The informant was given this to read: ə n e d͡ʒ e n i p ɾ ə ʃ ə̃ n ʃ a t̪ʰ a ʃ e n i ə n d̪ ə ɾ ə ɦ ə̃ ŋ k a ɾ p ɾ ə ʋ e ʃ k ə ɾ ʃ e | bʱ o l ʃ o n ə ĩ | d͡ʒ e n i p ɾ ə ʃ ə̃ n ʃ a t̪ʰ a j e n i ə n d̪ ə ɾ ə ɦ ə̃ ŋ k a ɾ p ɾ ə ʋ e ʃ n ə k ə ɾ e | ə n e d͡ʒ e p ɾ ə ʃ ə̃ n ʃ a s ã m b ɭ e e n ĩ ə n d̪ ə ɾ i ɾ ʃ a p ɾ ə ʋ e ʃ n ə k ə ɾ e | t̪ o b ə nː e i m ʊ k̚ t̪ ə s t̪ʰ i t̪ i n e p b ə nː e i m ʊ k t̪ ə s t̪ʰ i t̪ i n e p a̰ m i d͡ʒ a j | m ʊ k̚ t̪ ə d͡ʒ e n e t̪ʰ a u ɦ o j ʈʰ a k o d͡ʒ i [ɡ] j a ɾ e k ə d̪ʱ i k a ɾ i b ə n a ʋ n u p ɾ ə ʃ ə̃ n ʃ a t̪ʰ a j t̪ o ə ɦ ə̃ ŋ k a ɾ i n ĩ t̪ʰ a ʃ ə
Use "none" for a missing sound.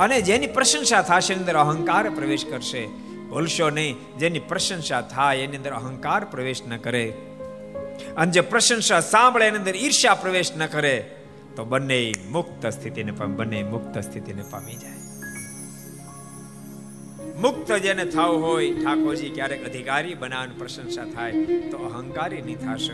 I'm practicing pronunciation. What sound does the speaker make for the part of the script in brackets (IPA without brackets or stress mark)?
k